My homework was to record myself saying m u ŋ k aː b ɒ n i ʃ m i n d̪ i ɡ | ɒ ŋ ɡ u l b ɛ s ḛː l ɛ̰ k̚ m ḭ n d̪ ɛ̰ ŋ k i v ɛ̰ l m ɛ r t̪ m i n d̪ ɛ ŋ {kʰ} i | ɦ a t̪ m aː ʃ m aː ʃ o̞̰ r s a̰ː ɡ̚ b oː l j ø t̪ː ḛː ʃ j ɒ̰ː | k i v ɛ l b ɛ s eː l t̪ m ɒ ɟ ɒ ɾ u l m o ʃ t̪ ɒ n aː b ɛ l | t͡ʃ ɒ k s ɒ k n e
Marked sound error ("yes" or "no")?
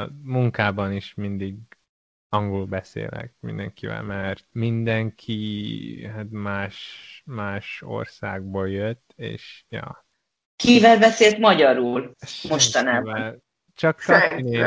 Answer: no